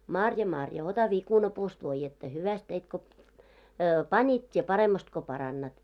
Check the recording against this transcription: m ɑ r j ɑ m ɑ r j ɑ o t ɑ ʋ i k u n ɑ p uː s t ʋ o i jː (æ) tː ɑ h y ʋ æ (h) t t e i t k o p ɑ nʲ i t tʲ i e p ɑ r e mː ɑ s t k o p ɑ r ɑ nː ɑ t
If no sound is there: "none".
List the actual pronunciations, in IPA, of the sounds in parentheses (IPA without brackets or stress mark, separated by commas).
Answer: e, s